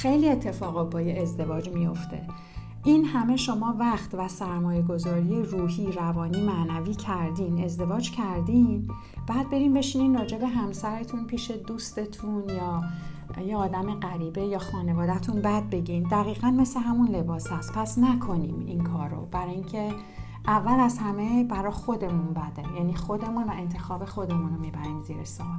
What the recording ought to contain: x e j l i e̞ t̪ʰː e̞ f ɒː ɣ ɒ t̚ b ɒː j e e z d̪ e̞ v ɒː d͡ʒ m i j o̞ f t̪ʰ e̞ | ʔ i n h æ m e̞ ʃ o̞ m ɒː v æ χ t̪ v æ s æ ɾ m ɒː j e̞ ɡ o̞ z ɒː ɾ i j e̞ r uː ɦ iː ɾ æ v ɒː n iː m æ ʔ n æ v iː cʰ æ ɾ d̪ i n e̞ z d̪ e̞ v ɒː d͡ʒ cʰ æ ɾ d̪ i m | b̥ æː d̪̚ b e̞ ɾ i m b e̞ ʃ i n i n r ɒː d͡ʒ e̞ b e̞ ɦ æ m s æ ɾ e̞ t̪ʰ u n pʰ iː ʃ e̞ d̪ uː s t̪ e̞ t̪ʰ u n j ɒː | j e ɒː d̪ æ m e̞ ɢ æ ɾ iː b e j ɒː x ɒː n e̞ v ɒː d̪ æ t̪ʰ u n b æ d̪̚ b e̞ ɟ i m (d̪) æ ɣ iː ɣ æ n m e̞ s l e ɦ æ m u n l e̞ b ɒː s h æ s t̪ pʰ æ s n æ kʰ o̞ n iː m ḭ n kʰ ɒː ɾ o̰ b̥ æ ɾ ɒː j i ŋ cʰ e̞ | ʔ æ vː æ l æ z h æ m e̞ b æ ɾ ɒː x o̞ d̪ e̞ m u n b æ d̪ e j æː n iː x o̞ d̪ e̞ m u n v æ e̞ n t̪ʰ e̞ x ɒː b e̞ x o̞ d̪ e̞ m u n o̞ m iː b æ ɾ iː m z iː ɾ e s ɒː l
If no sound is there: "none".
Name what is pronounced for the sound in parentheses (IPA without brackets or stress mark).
d̪